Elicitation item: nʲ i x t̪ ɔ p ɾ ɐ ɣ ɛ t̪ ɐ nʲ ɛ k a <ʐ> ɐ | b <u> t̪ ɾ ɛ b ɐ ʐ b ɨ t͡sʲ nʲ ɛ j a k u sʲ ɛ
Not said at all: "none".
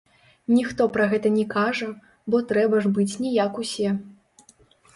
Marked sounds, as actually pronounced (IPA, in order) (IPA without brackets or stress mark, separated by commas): ʐ, ɔ